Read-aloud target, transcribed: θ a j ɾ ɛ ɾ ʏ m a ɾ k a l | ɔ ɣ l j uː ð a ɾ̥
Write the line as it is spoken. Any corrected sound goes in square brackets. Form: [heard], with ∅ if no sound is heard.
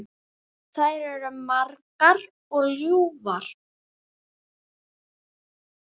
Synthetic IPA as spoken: θ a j ɾ ɛ ɾ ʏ m a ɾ k a [ɾ] | ɔ ɣ l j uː [v] a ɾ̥